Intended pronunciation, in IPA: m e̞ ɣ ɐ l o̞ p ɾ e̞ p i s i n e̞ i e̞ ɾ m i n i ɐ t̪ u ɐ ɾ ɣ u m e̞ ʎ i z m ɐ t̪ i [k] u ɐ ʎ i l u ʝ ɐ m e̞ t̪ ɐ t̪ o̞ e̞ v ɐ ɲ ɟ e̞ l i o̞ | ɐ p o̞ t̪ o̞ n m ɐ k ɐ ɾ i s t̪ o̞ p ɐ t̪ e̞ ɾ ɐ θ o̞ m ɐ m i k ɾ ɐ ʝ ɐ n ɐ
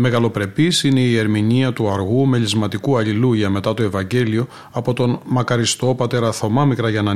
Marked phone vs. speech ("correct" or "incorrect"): correct